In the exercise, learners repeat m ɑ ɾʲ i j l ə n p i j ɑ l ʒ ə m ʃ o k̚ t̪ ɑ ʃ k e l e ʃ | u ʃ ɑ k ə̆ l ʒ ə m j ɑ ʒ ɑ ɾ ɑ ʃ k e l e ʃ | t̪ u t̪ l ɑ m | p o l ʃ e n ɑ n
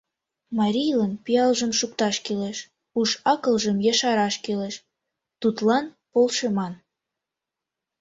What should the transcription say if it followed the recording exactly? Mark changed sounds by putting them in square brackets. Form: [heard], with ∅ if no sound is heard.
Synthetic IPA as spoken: m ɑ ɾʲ i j l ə n p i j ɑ l ʒ ə m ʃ [u] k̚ t̪ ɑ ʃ k e l e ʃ | u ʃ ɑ k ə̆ l ʒ ə m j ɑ [ʃ] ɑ ɾ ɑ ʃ k e l e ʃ | t̪ u t̪ l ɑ [n] | p o l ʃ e [m] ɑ n